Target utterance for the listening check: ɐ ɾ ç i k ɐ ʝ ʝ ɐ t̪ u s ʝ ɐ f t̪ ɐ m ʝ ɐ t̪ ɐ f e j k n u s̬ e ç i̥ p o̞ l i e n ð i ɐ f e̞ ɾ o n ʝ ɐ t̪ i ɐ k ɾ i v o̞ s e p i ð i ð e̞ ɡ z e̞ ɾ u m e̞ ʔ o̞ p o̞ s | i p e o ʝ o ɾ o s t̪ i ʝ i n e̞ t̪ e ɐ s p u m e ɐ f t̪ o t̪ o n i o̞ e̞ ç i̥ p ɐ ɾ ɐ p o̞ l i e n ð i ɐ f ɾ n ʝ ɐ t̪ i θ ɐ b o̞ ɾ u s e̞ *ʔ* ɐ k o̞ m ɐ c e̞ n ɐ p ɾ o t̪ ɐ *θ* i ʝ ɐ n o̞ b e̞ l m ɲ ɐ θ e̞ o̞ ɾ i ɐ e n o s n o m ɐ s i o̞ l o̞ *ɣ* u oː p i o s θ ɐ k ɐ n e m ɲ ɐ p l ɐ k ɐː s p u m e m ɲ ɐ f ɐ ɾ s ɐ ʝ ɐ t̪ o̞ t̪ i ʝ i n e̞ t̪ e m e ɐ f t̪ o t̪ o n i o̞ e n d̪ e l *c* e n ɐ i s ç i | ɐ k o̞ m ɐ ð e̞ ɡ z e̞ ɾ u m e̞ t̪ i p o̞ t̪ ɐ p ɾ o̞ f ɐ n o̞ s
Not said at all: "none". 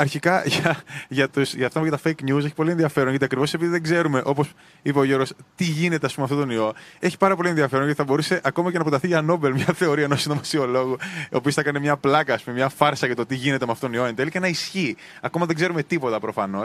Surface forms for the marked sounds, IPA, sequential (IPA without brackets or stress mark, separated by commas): ʔ, θ, ɣ, c